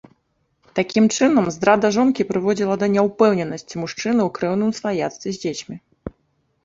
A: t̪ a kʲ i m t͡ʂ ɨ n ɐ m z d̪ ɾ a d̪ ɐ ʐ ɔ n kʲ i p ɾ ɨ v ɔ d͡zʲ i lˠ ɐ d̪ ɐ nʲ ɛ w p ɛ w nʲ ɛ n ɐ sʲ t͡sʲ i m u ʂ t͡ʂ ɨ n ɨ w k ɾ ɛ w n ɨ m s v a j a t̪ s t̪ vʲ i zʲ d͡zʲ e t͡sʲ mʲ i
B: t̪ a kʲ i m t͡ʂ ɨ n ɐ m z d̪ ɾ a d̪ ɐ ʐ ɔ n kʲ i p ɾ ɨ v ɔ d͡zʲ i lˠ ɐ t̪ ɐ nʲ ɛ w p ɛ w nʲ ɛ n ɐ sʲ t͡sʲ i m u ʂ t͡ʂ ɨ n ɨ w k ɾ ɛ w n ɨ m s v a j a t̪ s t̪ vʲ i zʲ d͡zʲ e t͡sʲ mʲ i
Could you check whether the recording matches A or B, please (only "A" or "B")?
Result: A